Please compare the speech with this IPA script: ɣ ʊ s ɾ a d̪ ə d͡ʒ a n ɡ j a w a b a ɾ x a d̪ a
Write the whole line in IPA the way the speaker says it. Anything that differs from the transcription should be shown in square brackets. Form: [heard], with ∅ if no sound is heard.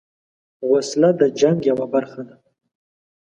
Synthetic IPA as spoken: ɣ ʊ s [l] a d̪ ə d͡ʒ a [ŋ] ɡ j a w a b a ɾ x a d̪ a